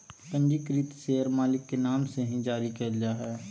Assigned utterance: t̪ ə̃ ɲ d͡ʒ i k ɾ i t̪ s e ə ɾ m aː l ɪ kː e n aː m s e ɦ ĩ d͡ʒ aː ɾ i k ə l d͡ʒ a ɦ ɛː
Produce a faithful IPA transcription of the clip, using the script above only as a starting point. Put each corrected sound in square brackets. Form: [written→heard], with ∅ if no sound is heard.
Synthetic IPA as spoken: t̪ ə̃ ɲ d͡ʒ i k ɾ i t̪ s e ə ɾ m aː l ɪ kː e n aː m s e ɦ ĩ d͡ʒ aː ɾ i k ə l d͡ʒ a ɦ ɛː